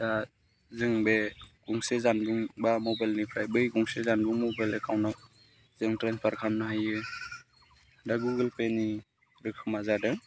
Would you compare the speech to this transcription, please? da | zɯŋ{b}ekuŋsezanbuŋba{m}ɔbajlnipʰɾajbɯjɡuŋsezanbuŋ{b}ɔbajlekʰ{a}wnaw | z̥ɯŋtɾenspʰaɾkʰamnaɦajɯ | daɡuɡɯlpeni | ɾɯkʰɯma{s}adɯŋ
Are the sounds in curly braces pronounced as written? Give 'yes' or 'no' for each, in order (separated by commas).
yes, yes, no, yes, no